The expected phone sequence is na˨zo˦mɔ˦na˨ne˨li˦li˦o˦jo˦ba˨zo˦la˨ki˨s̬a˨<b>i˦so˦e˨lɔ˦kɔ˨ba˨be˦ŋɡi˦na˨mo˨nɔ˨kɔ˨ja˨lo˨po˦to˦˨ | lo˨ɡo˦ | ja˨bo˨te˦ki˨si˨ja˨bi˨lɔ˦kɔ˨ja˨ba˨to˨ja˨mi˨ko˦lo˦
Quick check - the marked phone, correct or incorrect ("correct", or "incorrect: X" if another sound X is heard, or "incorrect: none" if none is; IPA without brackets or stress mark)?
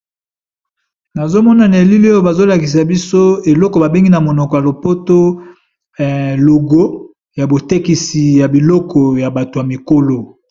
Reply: correct